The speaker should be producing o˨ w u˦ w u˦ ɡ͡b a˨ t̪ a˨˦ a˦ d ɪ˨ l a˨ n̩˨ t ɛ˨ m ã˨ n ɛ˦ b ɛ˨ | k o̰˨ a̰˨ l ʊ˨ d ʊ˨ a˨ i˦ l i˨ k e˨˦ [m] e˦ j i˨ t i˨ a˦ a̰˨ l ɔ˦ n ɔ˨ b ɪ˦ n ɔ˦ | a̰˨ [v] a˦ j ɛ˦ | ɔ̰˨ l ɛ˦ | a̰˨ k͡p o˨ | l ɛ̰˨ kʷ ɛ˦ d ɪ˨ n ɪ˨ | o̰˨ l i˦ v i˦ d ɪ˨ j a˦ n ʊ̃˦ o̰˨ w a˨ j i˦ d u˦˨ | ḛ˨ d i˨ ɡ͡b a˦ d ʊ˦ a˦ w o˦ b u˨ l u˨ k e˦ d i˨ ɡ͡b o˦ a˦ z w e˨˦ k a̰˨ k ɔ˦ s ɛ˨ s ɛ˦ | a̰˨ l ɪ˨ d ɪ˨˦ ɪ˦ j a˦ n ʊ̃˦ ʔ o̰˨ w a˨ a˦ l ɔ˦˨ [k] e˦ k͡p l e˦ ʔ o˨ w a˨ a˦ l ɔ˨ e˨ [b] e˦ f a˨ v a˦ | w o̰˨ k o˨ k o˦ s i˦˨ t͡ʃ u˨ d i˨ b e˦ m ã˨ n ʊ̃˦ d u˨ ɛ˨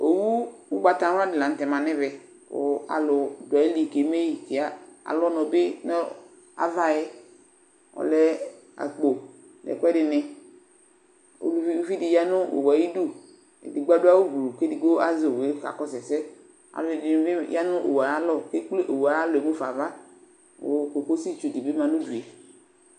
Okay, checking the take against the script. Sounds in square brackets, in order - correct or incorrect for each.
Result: correct, correct, correct, incorrect: m

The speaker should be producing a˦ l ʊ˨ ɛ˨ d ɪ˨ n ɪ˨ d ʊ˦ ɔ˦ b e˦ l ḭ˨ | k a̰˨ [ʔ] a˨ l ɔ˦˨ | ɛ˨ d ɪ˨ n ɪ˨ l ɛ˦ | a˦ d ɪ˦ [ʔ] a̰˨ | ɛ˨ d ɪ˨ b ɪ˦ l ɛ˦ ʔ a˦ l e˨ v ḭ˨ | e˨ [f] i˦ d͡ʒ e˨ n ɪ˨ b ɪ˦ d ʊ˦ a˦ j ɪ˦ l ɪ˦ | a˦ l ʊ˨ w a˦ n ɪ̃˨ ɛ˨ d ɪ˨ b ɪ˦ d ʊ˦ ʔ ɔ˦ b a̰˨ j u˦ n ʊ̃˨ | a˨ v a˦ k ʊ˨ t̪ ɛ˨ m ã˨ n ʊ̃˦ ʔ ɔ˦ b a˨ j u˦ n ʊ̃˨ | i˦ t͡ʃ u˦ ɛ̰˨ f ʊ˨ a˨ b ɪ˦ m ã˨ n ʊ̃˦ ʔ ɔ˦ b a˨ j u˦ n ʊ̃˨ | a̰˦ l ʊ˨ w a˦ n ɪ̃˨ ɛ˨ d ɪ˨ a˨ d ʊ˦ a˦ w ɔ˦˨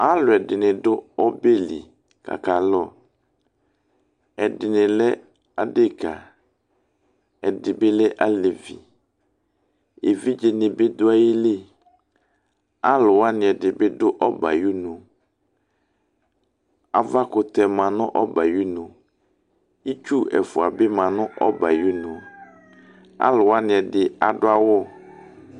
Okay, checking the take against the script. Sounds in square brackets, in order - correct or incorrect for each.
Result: incorrect: k, incorrect: k, incorrect: v

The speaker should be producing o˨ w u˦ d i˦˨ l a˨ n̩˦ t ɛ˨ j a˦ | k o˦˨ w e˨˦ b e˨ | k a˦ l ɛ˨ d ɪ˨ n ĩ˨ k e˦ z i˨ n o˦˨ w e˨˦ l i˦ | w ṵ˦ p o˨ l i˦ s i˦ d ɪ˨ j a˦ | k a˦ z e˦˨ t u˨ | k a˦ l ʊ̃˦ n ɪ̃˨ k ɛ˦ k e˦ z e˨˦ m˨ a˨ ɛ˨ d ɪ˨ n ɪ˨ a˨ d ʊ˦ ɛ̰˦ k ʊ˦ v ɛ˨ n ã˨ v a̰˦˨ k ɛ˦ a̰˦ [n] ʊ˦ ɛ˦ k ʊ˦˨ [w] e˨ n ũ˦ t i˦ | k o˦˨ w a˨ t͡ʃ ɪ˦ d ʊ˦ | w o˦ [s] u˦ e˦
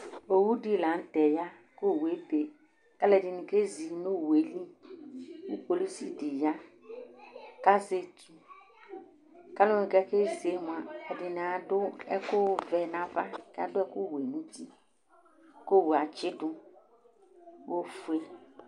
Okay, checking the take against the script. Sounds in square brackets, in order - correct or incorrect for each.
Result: incorrect: d, correct, incorrect: f

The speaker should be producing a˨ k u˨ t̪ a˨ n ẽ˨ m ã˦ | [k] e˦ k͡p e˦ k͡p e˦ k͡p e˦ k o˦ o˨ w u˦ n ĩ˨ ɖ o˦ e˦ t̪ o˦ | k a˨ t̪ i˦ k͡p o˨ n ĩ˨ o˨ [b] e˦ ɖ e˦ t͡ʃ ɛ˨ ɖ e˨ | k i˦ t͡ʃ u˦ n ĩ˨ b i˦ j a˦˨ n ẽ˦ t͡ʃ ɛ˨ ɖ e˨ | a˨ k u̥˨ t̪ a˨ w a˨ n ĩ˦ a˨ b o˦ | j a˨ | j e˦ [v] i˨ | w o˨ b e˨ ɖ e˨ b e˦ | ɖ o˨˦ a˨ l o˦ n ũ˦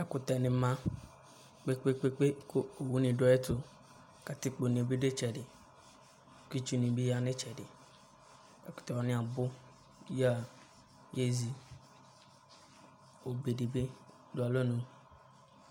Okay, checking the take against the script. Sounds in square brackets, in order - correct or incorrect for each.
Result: incorrect: k͡p, correct, incorrect: z

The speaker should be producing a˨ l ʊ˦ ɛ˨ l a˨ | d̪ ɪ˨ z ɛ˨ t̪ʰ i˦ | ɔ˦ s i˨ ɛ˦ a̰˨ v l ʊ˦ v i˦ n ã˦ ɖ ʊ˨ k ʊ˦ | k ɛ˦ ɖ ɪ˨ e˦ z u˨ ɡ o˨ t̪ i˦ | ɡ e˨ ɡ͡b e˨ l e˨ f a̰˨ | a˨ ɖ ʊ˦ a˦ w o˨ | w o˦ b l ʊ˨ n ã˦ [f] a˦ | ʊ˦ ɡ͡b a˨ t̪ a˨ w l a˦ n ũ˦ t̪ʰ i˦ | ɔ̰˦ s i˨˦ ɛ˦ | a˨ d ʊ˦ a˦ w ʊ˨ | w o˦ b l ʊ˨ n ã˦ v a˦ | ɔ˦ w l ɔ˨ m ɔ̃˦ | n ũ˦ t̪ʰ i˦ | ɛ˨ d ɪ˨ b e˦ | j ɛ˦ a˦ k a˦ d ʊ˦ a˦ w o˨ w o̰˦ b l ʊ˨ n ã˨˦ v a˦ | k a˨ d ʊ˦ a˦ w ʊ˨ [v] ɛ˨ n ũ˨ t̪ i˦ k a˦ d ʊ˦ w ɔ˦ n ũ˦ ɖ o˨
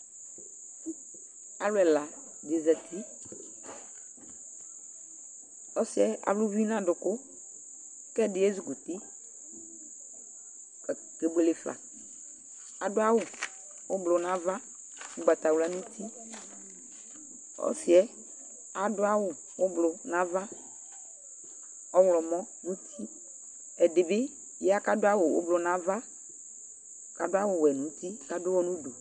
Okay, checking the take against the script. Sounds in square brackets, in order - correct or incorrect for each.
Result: incorrect: v, incorrect: w

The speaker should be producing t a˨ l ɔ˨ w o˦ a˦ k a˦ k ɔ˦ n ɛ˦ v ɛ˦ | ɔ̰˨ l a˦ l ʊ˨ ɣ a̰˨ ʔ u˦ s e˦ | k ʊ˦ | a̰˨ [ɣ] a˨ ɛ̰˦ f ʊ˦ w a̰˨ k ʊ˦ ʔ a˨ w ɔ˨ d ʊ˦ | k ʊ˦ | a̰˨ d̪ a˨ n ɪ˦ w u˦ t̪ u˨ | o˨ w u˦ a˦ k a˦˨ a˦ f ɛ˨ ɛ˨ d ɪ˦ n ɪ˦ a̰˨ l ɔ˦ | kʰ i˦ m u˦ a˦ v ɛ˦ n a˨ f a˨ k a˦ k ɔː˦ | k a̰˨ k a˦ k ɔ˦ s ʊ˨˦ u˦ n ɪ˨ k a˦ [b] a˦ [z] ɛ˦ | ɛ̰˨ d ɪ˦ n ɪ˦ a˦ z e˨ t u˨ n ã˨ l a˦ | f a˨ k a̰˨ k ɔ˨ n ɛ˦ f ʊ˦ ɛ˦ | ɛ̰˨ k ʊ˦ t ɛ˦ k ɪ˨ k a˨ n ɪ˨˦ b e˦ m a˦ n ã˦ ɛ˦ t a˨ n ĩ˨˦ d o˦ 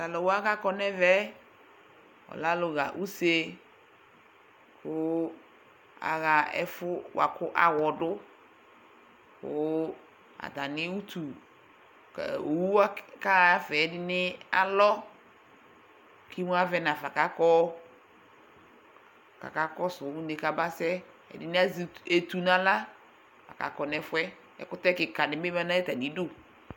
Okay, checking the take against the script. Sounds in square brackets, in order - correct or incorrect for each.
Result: correct, correct, incorrect: s

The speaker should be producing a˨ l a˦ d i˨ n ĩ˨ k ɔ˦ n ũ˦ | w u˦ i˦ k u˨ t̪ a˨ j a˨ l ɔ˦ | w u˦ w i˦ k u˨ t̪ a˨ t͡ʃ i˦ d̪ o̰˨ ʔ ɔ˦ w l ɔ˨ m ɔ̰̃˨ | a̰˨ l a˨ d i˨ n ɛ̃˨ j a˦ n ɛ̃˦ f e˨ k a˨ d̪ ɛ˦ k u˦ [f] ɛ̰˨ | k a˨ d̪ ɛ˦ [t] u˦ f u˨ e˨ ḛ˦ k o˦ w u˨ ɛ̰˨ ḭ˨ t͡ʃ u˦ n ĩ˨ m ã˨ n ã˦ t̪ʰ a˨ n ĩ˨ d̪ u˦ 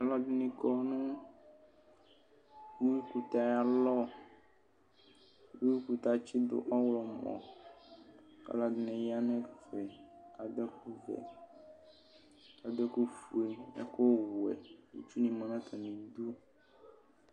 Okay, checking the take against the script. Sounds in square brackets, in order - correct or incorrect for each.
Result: incorrect: v, incorrect: k

